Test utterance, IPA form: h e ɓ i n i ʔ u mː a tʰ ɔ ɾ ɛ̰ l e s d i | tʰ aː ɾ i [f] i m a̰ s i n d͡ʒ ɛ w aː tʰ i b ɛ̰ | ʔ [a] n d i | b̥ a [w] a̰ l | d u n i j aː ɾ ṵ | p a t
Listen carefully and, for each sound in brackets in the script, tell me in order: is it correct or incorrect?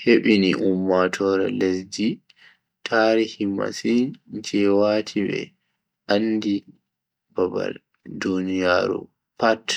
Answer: incorrect, correct, incorrect

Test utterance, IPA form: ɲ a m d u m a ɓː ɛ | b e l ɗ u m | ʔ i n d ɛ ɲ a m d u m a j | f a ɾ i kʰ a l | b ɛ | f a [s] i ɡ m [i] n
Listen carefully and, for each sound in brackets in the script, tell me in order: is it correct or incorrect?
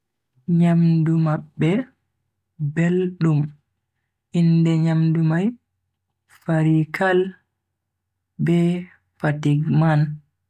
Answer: incorrect, incorrect

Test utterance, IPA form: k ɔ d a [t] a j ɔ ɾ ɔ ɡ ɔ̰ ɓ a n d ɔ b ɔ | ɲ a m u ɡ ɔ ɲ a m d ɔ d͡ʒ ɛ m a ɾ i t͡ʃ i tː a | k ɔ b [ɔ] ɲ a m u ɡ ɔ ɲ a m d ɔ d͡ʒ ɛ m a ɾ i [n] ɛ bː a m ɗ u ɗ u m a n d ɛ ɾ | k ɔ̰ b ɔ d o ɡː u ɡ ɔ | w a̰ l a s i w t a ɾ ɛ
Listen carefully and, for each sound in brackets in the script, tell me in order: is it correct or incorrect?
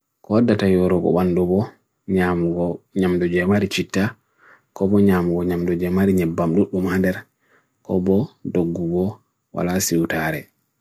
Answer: correct, correct, incorrect

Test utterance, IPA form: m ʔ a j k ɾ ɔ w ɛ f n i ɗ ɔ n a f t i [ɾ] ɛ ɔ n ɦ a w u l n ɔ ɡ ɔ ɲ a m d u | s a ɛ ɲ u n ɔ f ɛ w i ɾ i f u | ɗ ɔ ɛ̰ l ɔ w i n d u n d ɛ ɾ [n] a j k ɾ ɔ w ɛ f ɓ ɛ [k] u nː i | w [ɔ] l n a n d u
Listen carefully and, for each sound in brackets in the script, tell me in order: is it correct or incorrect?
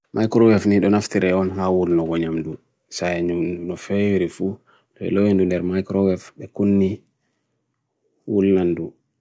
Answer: correct, incorrect, correct, incorrect

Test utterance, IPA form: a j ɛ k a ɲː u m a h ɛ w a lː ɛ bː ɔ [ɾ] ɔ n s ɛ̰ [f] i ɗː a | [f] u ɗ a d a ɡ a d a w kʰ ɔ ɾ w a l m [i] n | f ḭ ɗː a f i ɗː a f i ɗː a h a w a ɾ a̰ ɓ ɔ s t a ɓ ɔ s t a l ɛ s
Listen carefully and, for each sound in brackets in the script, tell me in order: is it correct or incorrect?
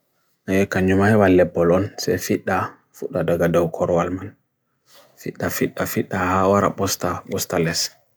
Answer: incorrect, correct, correct, incorrect

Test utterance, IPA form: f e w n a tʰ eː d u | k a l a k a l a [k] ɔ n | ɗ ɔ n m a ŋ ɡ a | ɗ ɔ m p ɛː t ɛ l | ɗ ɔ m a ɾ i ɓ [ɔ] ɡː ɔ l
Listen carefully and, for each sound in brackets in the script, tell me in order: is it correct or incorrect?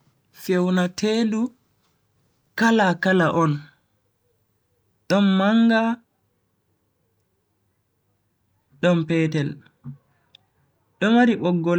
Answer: incorrect, correct

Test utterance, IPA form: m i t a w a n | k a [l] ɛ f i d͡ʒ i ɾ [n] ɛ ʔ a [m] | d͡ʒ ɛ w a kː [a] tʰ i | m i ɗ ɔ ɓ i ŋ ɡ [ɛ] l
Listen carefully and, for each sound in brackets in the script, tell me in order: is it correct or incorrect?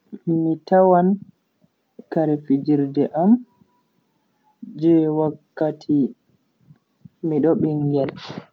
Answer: incorrect, incorrect, correct, correct, correct

